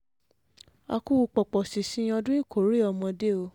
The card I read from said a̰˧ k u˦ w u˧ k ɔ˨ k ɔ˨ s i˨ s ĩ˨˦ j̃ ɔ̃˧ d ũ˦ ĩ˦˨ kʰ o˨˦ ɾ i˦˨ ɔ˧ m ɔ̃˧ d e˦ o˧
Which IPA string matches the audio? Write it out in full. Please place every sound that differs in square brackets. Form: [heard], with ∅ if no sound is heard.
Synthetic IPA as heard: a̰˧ k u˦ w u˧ [k͡p] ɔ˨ [k͡p] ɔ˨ s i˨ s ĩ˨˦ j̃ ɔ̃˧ d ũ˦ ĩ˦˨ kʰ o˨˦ ɾ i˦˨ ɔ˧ m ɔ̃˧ d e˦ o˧